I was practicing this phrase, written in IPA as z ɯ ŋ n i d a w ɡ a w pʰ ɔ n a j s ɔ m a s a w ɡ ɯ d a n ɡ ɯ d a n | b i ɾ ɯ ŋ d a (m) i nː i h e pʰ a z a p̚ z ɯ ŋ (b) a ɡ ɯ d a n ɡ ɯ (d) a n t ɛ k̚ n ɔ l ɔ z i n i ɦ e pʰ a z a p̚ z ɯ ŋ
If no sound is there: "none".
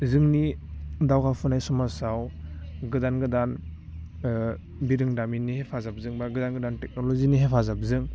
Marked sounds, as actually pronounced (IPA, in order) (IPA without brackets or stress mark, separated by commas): m, b, d